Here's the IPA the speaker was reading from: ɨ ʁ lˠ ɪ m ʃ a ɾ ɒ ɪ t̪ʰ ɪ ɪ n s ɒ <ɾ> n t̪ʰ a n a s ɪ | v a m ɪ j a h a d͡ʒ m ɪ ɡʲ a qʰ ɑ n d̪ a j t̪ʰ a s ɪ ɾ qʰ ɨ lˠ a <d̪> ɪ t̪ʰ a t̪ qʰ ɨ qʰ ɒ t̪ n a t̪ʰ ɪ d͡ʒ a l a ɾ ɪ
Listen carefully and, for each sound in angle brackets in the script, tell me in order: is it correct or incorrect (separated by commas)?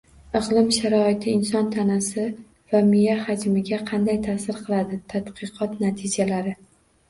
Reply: incorrect, correct